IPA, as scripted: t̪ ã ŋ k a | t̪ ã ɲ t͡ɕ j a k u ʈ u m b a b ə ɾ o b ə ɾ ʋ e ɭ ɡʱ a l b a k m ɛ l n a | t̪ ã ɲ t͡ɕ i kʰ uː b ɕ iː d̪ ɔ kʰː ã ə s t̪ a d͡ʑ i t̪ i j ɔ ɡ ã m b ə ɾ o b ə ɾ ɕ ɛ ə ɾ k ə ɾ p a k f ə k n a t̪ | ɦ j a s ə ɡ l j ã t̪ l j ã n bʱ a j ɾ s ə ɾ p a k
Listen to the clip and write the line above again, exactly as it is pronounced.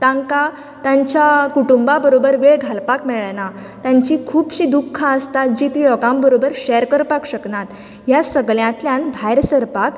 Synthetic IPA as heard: t̪ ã ŋ k a | t̪ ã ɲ t͡ɕ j a k u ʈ u m b a b ə ɾ o b ə ɾ ʋ e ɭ ɡʱ a l p a k m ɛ ɭ n a | t̪ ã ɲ t͡ɕ i kʰ uː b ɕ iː d̪ u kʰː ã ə s t̪ a d͡ʑ i t̪ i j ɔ ɡ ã m b ə ɾ o b ə ɾ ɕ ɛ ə ɾ k ə ɾ p a k ɕ ə k n a t̪ | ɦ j a s ə ɡ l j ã t̪ l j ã n bʱ a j ɾ s ə ɾ p a k